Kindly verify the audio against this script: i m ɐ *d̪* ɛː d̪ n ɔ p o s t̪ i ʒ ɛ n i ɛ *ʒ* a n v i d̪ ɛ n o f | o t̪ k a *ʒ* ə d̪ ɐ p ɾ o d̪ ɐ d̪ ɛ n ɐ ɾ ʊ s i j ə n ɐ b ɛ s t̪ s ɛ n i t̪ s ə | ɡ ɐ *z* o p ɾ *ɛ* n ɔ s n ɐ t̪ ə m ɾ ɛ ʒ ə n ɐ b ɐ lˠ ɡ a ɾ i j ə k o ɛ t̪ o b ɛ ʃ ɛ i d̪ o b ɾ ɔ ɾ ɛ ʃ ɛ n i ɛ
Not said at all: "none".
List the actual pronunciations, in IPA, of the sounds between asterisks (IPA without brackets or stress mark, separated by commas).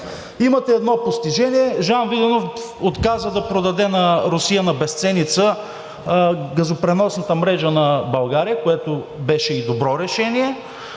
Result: t̪, ʒ, z, z, ɛ